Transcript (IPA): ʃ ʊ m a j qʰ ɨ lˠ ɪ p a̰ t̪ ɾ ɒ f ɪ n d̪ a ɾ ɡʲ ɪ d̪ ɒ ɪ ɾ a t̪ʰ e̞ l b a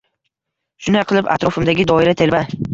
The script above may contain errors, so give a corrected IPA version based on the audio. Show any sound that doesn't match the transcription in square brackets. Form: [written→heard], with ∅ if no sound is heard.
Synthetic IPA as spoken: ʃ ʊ [m→n] a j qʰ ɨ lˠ ɪ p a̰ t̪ ɾ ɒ f ɪ [n→m] d̪ a [ɾ→∅] ɡʲ ɪ d̪ ɒ ɪ ɾ a t̪ʰ e̞ l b a